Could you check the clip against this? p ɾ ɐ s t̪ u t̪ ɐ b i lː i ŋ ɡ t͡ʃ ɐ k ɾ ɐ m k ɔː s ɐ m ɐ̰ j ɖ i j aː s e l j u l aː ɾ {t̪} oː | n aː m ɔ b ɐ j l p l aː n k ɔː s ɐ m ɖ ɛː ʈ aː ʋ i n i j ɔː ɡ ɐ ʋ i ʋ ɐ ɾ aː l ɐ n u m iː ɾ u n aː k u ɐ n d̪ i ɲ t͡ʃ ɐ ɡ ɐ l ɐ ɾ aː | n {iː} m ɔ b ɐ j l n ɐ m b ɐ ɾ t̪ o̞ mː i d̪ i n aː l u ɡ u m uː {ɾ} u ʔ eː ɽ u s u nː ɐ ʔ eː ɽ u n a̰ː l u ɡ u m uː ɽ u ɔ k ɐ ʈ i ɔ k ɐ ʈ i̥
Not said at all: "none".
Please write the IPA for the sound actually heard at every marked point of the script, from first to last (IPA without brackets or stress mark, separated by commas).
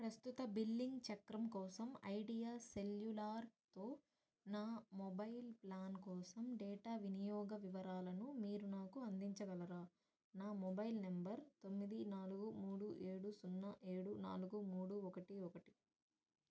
t̪, aː, ɽ